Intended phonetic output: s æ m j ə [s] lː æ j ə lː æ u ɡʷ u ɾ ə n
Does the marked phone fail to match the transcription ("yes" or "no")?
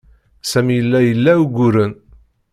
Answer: yes